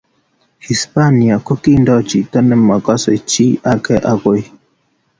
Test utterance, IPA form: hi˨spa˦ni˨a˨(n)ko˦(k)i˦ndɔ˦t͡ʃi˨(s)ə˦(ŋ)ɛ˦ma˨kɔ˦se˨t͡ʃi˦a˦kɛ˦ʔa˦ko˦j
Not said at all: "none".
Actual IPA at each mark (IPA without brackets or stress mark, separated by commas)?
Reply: none, k, t, n